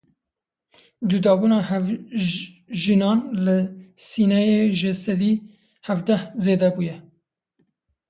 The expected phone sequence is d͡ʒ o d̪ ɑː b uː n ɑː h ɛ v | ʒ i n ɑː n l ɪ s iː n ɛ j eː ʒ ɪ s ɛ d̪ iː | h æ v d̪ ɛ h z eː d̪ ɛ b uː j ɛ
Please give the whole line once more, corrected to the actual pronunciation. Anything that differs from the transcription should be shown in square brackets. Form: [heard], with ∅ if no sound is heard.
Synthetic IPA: d͡ʒ [u] d̪ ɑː b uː n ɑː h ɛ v | ʒ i n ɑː n l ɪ s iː n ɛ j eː ʒ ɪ s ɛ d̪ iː | h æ v d̪ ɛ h z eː d̪ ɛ b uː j ɛ